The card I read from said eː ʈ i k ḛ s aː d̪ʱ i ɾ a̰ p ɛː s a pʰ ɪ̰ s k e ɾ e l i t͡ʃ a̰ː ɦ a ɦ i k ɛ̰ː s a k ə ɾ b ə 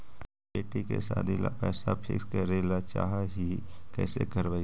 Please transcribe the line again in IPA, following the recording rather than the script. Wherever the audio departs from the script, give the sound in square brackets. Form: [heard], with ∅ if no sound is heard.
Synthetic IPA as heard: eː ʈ i k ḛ s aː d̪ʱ i [l] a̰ p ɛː s a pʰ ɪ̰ s k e ɾ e l [a] t͡ʃ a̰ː ɦ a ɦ i k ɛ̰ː s [e] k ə ɾ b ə